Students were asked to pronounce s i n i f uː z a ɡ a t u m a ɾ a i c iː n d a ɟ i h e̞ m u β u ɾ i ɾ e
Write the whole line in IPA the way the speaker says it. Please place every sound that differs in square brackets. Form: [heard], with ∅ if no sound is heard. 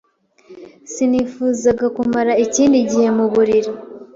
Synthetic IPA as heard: s i n i f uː z a ɡ a [k] u m a ɾ a i c iː n d [i] ɟ i h e̞ m u β u ɾ i ɾ [i]